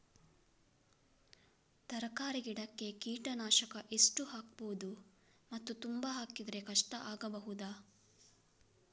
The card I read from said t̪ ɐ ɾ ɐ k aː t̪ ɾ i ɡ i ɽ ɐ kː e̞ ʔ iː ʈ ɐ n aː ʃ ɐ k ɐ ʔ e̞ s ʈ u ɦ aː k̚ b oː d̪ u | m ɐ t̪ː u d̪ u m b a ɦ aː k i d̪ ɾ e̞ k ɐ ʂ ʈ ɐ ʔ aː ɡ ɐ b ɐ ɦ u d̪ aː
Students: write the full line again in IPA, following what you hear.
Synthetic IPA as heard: t̪ ɐ ɾ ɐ k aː ɾ i ɡ i ɽ ɐ kː e̞ k iː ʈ ɐ n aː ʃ ɐ k ɐ ʔ e̞ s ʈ u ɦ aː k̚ b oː d̪ u | m ɐ t̪ː u t̪ u m b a ɦ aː k i d̪ ɾ e̞ k ɐ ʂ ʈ ɐ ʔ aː ɡ ɐ b ɐ ɦ u d̪ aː

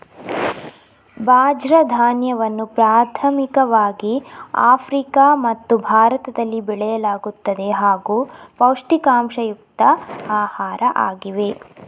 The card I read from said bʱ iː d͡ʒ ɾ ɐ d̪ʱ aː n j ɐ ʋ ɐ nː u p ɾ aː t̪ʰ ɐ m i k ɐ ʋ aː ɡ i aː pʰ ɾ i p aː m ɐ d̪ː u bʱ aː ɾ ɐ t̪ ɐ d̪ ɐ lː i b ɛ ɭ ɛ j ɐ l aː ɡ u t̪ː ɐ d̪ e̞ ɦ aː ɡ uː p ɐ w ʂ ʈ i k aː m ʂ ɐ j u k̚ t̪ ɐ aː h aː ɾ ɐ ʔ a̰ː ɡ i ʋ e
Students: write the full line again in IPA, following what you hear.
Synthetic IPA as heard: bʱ aː d͡ʒ ɾ ɐ d̪ʱ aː n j ɐ ʋ ɐ nː u p ɾ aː t̪ʰ ɐ m i k ɐ ʋ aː ɡ i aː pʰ ɾ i k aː m ɐ t̪ː u bʱ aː ɾ ɐ t̪ ɐ d̪ ɐ lː i b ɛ ɭ ɛ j ɐ l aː ɡ u t̪ː ɐ d̪ e̞ ɦ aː ɡ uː p ɐ w ʂ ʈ i k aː m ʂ ɐ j u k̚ t̪ ɐ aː h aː ɾ ɐ ʔ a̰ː ɡ i ʋ e

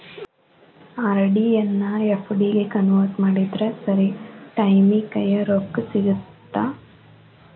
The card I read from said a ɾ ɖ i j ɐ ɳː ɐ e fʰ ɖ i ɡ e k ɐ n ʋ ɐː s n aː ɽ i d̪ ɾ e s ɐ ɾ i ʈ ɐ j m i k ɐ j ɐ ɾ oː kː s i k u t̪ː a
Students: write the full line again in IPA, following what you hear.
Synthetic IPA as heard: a ɾ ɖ i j ɐ nː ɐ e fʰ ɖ i ɡ e k ɐ n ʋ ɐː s m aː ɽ i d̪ ɾ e s ɐ ɾ i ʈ ɐ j m i k ɐ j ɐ ɾ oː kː s i ɡ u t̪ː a

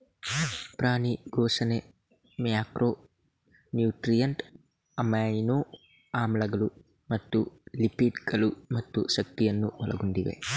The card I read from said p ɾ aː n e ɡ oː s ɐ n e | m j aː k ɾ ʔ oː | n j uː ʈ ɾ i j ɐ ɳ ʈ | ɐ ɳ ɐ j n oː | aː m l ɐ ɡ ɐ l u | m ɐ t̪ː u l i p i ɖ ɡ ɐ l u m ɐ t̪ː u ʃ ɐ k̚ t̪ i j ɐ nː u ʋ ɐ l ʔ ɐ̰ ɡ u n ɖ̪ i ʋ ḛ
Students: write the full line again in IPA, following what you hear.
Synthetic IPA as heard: p ɾ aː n i ɡ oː s ɐ n e | m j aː k ɾ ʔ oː | n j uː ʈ ɾ i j ɐ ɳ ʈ | ɐ m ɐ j n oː | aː m l ɐ ɡ ɐ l u | m ɐ t̪ː u l i p i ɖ ɡ ɐ l u m ɐ t̪ː u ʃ ɐ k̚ t̪ i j ɐ nː u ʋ ɐ l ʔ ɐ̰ ɡ u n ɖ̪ i ʋ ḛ

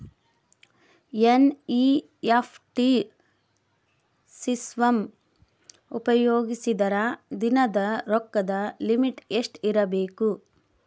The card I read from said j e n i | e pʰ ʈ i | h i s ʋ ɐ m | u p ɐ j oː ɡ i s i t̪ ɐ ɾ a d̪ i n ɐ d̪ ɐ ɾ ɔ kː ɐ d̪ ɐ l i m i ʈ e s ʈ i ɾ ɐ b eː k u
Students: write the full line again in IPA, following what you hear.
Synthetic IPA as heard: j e n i | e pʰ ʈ i | s i s ʋ ɐ m | u p ɐ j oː ɡ i s i d̪ ɐ ɾ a d̪ i n ɐ d̪ ɐ ɾ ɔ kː ɐ d̪ ɐ l i m i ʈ e ʂ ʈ i ɾ ɐ b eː k u

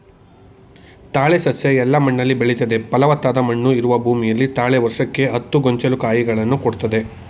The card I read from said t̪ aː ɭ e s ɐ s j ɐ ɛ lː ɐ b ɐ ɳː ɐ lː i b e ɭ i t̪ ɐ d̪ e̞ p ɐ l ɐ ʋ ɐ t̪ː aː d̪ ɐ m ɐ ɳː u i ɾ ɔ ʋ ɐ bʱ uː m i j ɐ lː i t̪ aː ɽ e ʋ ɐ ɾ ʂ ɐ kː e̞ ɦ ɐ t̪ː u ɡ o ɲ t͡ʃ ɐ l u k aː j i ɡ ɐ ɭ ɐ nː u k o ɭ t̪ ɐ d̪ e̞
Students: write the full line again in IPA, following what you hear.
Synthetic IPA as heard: t̪ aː ɭ e s ɐ s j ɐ ɛ lː ɐ m ɐ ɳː ɐ lː i b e ɭ i t̪ ɐ d̪ e̞ p ɐ l ɐ ʋ ɐ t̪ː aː d̪ ɐ m ɐ ɳː u i ɾ u ʋ ɐ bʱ uː m i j ɐ lː i t̪ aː ɭ e ʋ ɐ ɾ ʂ ɐ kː e̞ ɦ ɐ t̪ː u ɡ o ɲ t͡ʃ ɐ l u k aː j i ɡ ɐ ɭ ɐ nː u k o ɽ t̪ ɐ d̪ e̞

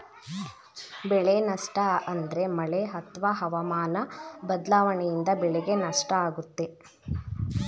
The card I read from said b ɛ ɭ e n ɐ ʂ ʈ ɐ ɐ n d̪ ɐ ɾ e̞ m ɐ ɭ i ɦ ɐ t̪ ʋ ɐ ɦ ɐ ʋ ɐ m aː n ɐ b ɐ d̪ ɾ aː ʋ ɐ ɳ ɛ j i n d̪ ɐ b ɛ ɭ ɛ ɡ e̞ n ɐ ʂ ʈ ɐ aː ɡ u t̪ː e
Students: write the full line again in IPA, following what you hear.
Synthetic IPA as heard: b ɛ ɭ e n ɐ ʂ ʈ ɐ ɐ n d̪ ɐ ɾ e̞ m ɐ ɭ e ɦ ɐ t̪ ʋ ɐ ɦ ɐ ʋ ɐ m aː n ɐ b ɐ d̪ l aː ʋ ɐ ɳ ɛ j i n d̪ ɐ b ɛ ɭ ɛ ɡ e̞ n ɐ ʂ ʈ ɐ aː ɡ u t̪ː e

